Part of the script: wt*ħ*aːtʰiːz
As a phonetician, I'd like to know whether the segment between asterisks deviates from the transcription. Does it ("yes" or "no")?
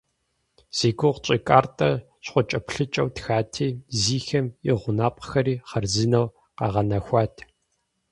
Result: yes